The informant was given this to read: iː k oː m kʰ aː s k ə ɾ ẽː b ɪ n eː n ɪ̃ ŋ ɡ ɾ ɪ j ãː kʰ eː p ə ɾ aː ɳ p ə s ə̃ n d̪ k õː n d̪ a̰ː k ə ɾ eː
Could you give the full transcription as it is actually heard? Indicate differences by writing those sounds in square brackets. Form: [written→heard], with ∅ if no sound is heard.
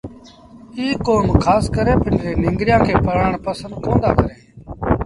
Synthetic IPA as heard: iː k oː m kʰ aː s k ə ɾ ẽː [b→p] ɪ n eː n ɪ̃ ŋ ɡ ɾ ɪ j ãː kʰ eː p ə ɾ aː ɳ p ə s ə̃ n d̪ k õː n d̪ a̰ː k ə ɾ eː